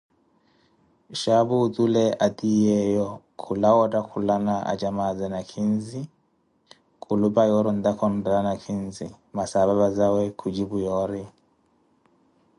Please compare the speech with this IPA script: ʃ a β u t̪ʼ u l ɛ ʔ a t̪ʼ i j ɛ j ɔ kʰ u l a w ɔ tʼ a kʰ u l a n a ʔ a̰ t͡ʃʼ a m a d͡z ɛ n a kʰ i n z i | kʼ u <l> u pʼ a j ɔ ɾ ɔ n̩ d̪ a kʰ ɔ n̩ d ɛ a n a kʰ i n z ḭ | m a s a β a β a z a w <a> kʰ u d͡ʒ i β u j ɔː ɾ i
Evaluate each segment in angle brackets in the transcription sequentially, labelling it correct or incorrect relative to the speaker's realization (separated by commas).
correct, incorrect